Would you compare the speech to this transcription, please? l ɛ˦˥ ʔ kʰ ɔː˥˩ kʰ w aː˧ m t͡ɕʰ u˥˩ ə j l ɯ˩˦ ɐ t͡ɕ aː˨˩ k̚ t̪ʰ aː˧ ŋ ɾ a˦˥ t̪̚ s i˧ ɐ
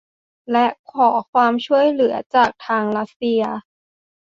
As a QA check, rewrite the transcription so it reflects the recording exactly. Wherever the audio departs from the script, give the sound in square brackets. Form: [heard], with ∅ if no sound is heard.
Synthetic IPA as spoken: l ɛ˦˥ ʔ kʰ [ɔː˩˦] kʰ w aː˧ m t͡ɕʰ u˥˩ ə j l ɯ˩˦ ɐ t͡ɕ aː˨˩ k̚ t̪ʰ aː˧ ŋ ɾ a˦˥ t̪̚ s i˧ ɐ